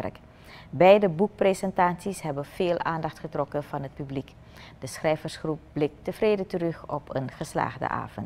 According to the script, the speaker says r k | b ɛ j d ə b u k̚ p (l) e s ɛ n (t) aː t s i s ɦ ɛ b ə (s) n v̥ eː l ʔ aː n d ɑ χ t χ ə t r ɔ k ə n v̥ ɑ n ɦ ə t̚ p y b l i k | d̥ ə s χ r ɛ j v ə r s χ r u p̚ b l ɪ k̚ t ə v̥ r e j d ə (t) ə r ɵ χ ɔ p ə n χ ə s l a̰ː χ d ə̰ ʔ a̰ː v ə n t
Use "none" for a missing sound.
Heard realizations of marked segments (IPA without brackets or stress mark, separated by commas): r, t, none, t